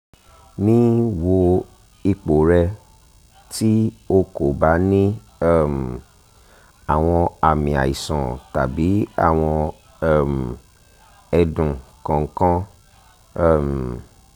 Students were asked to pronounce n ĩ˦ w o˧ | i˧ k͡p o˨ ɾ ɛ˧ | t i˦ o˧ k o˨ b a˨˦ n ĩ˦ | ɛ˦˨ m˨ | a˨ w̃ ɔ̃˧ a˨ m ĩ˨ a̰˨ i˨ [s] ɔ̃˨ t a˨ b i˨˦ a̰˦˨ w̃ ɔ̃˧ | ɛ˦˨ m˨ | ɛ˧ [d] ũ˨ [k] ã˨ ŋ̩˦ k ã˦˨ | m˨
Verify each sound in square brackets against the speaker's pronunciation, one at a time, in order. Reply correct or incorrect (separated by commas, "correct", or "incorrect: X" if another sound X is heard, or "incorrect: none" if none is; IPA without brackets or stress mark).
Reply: correct, correct, correct